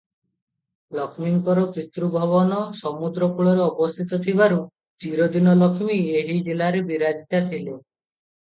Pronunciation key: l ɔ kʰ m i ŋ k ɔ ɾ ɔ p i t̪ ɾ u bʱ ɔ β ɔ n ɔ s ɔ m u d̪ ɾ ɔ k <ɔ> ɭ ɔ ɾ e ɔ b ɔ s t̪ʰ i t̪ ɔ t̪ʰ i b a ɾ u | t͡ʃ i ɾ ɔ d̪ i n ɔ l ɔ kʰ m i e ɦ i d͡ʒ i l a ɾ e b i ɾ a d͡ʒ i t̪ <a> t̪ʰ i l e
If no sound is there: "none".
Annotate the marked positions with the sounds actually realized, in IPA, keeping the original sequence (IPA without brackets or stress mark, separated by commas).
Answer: u, a